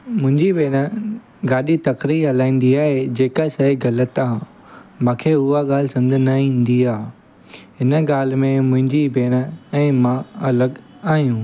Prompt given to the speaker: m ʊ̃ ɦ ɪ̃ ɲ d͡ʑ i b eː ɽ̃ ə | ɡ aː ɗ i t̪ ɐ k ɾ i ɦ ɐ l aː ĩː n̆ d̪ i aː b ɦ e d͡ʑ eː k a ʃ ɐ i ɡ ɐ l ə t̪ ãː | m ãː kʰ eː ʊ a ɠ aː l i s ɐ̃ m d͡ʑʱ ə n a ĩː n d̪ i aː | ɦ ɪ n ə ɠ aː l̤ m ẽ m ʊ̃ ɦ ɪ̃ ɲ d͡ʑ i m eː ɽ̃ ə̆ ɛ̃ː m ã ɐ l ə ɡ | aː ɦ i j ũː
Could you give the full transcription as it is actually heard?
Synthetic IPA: m ʊ̃ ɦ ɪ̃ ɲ d͡ʑ i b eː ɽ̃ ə | ɡ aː ɗ i t̪ ɐ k ɾ i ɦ ɐ l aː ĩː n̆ d̪ i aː ɦ e d͡ʑ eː k a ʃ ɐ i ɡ ɐ l ə t̪ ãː | m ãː kʰ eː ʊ a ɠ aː l ɪ s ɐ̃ m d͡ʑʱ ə n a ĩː n d̪ i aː | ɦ ɪ n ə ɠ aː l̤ m ẽ m ʊ̃ ɦ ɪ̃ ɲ d͡ʑ i b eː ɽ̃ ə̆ ɛ̃ː m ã ɐ l ə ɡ | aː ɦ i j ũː

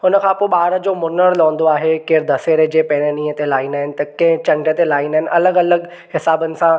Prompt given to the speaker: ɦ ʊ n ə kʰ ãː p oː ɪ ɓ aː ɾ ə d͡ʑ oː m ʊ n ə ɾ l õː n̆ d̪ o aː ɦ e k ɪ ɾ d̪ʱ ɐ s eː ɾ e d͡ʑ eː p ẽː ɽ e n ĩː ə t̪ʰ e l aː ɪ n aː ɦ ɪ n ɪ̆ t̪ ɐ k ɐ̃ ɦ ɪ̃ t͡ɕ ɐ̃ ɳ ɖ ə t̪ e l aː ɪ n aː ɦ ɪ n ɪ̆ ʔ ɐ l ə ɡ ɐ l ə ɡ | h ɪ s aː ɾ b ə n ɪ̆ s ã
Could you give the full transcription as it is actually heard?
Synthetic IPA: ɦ ʊ n ə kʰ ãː p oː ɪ ɓ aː ɾ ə d͡ʑ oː m ʊ n ə ɾ l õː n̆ d̪ o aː ɦ e k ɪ ɾ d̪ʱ ɐ s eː ɾ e d͡ʑ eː p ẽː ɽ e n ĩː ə t̪ e l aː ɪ n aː ɦ ɪ n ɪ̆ t̪ ɐ k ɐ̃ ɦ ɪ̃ t͡ɕ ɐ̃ ɳ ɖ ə t̪ e l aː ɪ n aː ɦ ɪ n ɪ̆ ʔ ɐ l ə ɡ ɐ l ə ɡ | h ɪ s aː b ə n ɪ̆ s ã

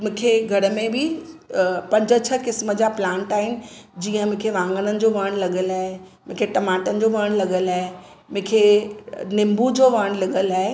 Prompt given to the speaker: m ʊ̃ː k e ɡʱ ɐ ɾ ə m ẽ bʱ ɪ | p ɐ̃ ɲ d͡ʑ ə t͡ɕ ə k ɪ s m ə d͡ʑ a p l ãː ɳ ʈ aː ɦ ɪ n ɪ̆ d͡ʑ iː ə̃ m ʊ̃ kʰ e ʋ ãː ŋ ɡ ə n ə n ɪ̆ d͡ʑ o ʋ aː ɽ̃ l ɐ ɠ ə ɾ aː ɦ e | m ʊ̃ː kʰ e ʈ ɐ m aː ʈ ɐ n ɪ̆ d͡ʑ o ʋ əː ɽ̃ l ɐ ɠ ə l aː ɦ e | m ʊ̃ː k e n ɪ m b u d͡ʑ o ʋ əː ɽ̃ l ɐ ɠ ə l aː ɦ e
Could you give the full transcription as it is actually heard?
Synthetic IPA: m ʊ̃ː kʰ e ɡʱ ɐ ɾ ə m ẽ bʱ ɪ | p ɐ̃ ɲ d͡ʑ ə t͡ɕʰ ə k ɪ s m ə d͡ʑ a p l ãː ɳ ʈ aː ɦ ɪ n ɪ̆ d͡ʑ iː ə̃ m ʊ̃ kʰ e ʋ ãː ŋ ɡ ə n ə n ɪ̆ d͡ʑ o ʋ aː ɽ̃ l ɐ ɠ ə l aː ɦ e | m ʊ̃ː kʰ e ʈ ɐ m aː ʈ ə n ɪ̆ d͡ʑ o ʋ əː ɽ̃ l ɐ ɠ ə l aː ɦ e | m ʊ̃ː kʰ e n ɪ m b u d͡ʑ o ʋ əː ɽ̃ l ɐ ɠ ə l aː ɦ e

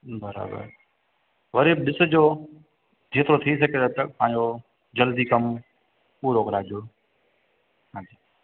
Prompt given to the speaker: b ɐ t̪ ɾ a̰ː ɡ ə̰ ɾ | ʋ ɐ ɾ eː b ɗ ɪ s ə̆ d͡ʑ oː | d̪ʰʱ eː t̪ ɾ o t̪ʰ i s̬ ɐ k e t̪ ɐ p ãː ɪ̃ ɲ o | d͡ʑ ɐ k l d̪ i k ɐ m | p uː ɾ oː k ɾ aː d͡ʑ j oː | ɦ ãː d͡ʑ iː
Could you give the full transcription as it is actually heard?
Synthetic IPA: b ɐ ɾ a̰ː b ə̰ ɾ | ʋ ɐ ɾ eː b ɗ ɪ s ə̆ d͡ʑ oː | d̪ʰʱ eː t̪ ɾ o t̪ʰ i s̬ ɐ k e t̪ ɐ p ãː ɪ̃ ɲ o | d͡ʑ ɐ l d̪ i k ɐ m | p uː ɾ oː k ɾ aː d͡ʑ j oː | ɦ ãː d͡ʑ iː

